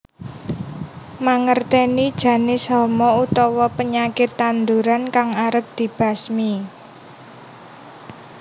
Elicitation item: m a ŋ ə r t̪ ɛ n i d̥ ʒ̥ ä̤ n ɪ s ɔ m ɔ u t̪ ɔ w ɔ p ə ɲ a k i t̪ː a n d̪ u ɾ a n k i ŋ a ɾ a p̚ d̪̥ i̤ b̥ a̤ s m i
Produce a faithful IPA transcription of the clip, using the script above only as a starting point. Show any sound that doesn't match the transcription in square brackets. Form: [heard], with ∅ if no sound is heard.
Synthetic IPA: m a ŋ ə r t̪ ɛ n i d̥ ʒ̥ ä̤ n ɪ s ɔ m ɔ u t̪ ɔ w ɔ p ə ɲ a k [ɪ] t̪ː a n d̪ u ɾ a n k [a] ŋ a ɾ [ə] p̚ d̪̥ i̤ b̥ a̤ s m i

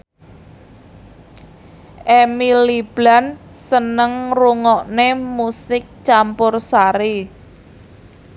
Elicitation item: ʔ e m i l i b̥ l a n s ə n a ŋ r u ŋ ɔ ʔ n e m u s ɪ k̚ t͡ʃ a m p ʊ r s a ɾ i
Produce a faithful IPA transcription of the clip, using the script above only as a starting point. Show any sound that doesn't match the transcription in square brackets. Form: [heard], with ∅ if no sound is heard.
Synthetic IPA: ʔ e m i l i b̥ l a n s ə n [ə] ŋ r u ŋ ɔ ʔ n e m u s ɪ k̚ t͡ʃ a m p ʊ r s a ɾ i

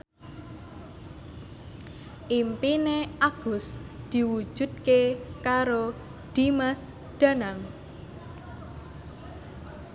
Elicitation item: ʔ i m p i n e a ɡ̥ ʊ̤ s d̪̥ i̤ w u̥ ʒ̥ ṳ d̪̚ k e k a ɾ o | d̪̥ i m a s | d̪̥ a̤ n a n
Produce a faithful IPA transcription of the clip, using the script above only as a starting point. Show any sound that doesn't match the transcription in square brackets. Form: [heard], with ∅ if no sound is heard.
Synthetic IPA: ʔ i m p i n e a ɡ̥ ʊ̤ s d̪̥ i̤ w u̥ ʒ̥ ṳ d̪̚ k e k a ɾ o | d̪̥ i m a s | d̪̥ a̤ n a [ŋ]

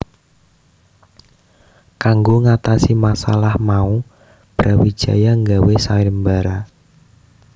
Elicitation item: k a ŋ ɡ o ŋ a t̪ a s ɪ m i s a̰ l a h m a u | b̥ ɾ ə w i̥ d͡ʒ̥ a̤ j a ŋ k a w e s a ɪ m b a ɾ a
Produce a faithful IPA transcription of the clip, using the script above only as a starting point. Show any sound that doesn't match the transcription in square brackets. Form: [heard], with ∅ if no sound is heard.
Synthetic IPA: k a ŋ ɡ o ŋ a t̪ a s [i] m [a] s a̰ l a h m a u | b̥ ɾ [a] w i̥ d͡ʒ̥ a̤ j a ŋ [ɡ] a w e s a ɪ m b a ɾ a

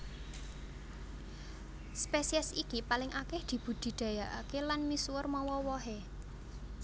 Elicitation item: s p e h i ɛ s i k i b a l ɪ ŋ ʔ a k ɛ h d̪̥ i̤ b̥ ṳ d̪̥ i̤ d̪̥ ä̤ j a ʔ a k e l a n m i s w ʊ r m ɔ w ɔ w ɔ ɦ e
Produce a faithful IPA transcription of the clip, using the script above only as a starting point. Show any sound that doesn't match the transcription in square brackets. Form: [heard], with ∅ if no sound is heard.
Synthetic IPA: s p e [s] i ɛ s i k i [p] a l ɪ ŋ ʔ a k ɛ h d̪̥ i̤ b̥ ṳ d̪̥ i̤ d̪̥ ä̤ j a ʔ a k e l a n m i s w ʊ r m ɔ w ɔ w ɔ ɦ e

